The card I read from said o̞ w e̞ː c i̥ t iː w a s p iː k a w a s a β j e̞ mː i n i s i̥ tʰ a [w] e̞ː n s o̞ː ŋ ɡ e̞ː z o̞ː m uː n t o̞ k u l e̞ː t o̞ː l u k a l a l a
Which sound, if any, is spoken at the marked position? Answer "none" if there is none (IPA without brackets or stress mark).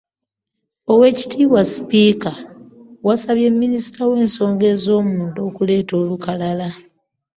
w